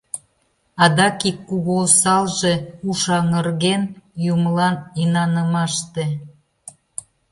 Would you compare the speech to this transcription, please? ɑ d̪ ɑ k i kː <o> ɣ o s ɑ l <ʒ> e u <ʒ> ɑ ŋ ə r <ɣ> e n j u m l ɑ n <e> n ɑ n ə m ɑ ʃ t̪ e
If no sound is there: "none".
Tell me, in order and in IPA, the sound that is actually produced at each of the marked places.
u, ʒ, ʃ, ɣ, i

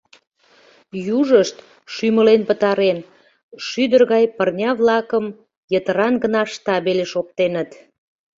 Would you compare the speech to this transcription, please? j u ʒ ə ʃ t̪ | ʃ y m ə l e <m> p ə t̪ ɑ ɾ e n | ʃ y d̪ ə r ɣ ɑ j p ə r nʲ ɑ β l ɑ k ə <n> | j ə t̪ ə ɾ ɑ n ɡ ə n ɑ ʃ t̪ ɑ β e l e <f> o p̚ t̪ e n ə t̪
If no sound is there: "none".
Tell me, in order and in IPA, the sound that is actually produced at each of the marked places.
n, m, ʃ

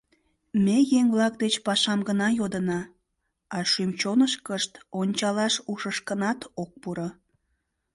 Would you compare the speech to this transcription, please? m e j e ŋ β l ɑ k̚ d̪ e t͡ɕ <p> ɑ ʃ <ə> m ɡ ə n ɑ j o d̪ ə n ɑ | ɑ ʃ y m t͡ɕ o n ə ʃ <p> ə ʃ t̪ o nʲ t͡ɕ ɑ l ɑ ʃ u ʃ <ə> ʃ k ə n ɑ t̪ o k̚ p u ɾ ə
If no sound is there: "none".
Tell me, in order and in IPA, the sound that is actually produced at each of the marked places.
p, ɑ, k, ə

